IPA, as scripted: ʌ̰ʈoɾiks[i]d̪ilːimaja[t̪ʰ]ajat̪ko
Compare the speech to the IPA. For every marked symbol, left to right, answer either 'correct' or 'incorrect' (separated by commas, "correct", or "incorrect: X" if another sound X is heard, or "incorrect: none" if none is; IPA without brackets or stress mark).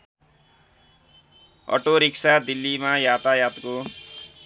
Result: incorrect: a, incorrect: t̪